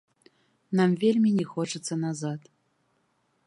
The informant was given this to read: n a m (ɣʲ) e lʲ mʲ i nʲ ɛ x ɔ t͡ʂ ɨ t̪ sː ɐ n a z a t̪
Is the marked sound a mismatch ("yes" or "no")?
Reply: yes